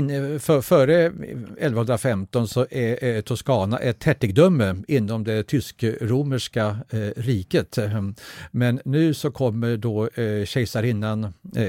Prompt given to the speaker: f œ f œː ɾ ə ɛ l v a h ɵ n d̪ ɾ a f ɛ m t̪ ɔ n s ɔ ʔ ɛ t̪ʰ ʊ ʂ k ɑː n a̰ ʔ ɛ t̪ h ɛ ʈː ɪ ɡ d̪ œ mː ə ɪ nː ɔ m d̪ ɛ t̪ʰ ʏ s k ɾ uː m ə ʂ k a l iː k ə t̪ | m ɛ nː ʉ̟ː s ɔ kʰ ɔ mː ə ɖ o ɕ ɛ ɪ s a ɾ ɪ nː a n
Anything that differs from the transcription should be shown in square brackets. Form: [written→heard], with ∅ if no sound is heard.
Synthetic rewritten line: f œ f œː ɾ ə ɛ l v a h ɵ n d̪ ɾ a f ɛ m t̪ ɔ n s ɔ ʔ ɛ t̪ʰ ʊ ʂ k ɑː n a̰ ʔ ɛ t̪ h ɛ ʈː ɪ ɡ d̪ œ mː ə ɪ nː ɔ m d̪ ɛ t̪ʰ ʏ s k ɾ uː m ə ʂ k a [l→ɾ] iː k ə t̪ | m ɛ nː ʉ̟ː s ɔ kʰ ɔ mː ə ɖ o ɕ ɛ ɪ s a ɾ ɪ nː a n